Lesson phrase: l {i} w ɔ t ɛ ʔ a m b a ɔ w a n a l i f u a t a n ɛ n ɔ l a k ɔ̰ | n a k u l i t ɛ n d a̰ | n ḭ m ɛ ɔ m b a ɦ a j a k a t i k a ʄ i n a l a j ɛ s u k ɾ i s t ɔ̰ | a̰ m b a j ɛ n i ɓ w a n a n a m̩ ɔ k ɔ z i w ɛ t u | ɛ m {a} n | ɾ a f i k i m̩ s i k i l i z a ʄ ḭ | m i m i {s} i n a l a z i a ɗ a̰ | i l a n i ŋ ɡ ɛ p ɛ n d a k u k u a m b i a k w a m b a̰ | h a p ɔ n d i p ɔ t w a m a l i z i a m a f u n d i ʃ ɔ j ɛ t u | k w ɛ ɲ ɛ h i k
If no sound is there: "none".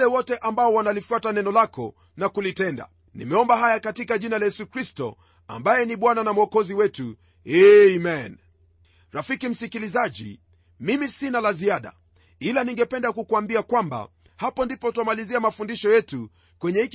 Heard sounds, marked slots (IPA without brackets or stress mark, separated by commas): ɛ, ɛ, s